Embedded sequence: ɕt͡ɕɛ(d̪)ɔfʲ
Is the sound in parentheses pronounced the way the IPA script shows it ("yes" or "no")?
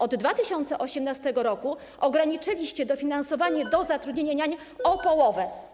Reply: yes